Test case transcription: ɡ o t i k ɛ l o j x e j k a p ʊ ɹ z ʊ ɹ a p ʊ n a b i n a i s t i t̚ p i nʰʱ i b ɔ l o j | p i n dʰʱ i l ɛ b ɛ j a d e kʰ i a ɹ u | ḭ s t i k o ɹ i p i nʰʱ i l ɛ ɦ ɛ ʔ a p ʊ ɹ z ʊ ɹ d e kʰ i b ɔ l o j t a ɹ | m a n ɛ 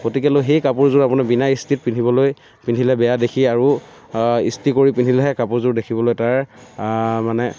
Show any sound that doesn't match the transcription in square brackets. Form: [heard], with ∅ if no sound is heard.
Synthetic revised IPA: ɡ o t i k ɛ l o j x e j k a p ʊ ɹ z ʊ ɹ a p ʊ n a b i n a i s t i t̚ p i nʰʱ i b ɔ l o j | p i n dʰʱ i l ɛ b ɛ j a d e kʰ i a ɹ u | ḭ s t i k o ɹ i p i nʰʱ i l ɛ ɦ ɛ [k] a p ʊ ɹ z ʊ ɹ d e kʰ i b ɔ l o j t a ɹ | m a n ɛ